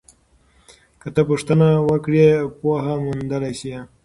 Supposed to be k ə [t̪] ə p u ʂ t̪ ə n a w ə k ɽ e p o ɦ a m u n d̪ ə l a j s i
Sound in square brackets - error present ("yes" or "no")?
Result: no